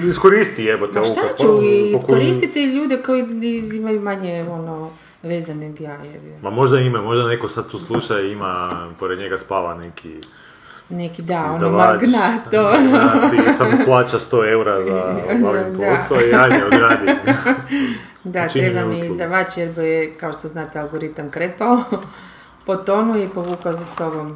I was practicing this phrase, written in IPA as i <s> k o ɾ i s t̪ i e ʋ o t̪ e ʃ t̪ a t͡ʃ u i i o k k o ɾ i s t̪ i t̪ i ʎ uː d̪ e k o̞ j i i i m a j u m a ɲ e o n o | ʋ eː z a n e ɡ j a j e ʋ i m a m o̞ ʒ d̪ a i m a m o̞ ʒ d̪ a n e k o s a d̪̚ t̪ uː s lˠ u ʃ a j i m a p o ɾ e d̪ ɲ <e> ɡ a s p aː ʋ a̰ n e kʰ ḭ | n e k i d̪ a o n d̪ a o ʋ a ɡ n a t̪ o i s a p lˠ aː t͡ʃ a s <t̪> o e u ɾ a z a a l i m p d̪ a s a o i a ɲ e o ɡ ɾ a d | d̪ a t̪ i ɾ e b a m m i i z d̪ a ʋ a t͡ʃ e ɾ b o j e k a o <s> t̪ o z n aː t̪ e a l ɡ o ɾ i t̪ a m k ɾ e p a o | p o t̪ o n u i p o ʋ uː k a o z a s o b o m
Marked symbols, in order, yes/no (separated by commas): yes, yes, yes, no